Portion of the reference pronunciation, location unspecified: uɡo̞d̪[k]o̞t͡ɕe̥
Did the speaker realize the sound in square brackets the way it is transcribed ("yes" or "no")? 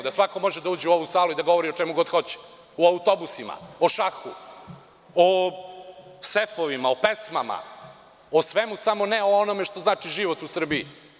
no